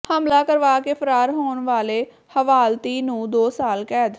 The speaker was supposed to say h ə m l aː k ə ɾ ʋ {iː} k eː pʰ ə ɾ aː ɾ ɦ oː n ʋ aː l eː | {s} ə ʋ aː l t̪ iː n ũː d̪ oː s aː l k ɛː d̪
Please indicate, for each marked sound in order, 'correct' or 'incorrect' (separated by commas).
incorrect, incorrect